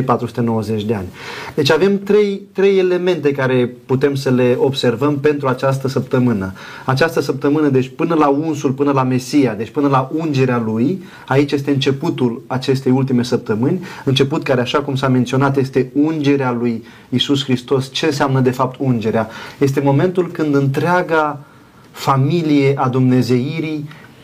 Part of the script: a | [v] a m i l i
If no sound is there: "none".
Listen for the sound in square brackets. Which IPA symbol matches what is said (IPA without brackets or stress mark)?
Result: f